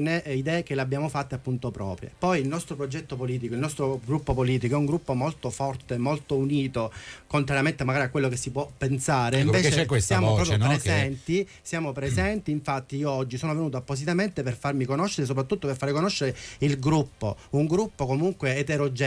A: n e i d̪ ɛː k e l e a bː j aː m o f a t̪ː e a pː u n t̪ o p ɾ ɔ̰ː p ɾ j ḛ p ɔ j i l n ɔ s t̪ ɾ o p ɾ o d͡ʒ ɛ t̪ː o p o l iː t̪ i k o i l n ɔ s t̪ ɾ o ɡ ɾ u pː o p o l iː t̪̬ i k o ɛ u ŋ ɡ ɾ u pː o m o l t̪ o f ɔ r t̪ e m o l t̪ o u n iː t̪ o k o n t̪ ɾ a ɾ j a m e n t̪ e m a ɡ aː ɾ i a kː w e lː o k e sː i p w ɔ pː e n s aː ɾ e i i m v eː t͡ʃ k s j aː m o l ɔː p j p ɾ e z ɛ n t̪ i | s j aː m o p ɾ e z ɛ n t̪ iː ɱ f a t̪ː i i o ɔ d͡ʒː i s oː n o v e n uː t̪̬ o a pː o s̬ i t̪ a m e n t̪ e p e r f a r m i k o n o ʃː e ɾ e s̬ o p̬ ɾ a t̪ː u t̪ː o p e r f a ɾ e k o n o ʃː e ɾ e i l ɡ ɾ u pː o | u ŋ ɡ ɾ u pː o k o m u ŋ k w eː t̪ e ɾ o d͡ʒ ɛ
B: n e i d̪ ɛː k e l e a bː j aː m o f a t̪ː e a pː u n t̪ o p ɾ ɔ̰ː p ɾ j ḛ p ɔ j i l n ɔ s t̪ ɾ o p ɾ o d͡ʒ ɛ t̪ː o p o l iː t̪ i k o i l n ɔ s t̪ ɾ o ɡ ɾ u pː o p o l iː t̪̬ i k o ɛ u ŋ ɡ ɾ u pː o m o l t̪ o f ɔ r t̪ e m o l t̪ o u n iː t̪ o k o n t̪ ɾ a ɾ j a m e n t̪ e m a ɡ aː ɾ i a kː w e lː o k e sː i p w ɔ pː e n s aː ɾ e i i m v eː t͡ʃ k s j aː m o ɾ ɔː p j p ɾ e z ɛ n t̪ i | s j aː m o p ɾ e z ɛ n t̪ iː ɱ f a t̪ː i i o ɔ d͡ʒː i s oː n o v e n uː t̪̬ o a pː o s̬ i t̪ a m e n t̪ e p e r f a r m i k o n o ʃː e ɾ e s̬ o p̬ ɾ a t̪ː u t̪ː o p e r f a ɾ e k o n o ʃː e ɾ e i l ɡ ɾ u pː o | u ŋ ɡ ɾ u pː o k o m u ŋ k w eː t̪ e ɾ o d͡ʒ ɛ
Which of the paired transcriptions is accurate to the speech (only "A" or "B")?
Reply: B